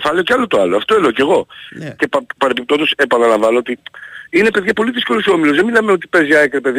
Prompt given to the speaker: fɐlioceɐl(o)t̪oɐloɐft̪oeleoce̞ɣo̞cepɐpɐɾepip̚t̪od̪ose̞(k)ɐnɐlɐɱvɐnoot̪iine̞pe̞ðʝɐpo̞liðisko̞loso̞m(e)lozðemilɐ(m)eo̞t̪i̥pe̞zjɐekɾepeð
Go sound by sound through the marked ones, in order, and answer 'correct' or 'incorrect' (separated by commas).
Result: correct, incorrect, incorrect, correct